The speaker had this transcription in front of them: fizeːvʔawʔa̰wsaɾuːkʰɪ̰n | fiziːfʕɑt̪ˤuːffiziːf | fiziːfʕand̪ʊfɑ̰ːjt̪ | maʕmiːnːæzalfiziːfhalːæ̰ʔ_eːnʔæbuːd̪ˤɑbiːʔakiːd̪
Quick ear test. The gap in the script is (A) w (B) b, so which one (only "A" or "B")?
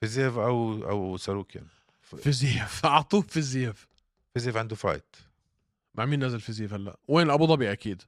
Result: A